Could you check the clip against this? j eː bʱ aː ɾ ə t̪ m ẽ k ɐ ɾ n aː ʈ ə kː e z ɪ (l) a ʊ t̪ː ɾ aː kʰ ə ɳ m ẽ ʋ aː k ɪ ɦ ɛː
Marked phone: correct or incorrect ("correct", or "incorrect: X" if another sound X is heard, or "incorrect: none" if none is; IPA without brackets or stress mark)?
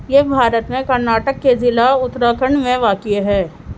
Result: correct